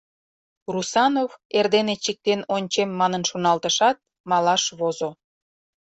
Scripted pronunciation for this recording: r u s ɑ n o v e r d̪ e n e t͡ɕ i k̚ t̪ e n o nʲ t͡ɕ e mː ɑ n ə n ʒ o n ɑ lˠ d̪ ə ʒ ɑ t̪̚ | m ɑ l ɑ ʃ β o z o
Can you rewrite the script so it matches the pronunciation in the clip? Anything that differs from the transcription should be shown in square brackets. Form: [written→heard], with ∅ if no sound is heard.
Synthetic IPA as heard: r u s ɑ n o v e r d̪ e n e t͡ɕ i k̚ t̪ e n o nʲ t͡ɕ e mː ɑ n ə n [ʒ→ʃ] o n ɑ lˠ [d̪→t̪] ə [ʒ→ʃ] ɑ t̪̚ | m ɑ l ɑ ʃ β o z o